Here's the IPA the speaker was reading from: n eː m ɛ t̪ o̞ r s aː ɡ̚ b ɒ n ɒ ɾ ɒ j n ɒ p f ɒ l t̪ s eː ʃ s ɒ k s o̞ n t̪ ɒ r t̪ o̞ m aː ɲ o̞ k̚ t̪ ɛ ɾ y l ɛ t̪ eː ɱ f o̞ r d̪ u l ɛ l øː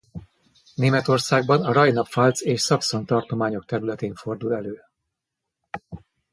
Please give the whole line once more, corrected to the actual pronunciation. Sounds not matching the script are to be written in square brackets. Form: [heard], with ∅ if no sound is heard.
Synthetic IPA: n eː m ɛ t̪ o̞ r s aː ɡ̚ b ɒ n ɒ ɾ ɒ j n ɒ p f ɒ l t̪ s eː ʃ s ɒ k s o̞ n t̪ ɒ r t̪ o̞ m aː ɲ o̞ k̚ t̪ ɛ ɾ y l ɛ t̪ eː ɱ f o̞ r d̪ u l ɛ l øː